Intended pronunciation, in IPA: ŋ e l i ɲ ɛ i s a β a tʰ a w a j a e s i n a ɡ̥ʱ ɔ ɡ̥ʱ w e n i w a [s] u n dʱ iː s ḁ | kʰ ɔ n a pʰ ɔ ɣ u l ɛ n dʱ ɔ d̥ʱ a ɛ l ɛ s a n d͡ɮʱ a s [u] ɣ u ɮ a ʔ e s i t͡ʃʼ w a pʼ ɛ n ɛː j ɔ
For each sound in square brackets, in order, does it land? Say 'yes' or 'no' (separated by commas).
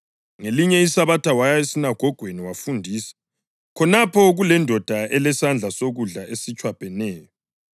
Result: no, no